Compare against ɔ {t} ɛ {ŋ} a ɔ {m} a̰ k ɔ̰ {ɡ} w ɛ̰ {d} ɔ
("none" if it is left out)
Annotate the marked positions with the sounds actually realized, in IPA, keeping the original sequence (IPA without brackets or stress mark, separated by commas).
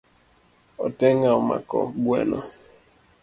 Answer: t, ŋ, m, ɡ, n